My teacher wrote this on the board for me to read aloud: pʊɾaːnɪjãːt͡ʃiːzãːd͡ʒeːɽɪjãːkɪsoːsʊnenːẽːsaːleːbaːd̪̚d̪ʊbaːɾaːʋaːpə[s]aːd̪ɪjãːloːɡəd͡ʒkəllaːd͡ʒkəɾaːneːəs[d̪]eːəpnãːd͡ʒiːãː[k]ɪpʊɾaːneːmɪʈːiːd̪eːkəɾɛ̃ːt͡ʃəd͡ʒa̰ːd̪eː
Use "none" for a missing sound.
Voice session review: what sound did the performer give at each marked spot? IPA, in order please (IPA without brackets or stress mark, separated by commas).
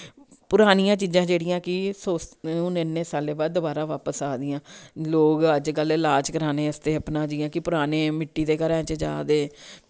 s, t̪, k